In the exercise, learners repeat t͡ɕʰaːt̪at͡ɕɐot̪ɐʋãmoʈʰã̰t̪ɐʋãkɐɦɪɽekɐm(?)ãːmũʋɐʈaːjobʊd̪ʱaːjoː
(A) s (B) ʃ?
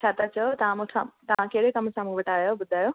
A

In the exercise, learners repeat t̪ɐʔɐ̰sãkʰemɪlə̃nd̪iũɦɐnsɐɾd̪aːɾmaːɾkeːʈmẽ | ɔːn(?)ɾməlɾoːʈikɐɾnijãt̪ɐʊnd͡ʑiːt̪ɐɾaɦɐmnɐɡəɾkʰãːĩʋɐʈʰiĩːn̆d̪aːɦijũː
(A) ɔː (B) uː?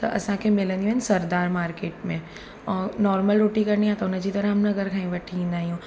A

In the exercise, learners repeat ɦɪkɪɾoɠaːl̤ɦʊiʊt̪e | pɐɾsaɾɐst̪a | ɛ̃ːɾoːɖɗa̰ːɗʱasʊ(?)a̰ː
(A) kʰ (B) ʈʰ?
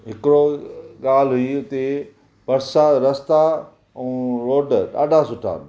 B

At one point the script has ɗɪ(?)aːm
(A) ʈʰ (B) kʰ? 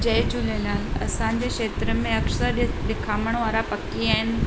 B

